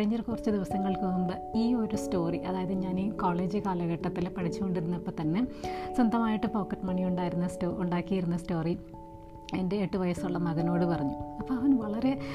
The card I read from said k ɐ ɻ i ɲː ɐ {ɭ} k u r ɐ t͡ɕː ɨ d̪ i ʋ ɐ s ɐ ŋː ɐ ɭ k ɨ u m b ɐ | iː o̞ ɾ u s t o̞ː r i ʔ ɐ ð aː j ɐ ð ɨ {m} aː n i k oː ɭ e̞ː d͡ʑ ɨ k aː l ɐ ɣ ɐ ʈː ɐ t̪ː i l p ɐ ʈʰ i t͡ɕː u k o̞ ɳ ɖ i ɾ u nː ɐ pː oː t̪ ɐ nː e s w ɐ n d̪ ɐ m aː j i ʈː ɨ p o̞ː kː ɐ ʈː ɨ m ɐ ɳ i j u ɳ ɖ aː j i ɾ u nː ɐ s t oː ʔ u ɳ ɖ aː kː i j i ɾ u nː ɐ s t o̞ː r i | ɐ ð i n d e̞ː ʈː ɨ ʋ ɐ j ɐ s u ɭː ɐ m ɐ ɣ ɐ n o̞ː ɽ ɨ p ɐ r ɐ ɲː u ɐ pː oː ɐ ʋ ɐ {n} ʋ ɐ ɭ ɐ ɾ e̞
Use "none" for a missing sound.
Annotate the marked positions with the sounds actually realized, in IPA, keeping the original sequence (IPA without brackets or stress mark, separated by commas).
r, ɲ, n